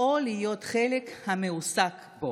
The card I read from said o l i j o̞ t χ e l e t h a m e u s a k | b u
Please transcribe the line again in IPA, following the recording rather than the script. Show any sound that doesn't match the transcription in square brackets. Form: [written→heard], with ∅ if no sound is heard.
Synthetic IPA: o l i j o̞ t χ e l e [t→k] h a m e u s a k | b [u→o]